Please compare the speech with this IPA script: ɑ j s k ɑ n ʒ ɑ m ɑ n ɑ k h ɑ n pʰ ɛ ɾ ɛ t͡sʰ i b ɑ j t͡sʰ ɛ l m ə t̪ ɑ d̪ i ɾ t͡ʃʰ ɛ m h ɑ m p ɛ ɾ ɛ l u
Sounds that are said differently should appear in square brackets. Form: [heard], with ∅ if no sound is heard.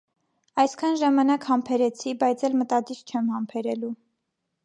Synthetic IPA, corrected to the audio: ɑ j s [kʰ] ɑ n ʒ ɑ m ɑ n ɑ k h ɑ [m] pʰ ɛ ɾ ɛ t͡sʰ i b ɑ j t͡sʰ ɛ l m ə t̪ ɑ d̪ i ɾ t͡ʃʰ ɛ m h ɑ m [pʰ] ɛ ɾ ɛ l u